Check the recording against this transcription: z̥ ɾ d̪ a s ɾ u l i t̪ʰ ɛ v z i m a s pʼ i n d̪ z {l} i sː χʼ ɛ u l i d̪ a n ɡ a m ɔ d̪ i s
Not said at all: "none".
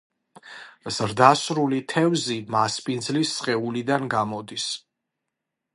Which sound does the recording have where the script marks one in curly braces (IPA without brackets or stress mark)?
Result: l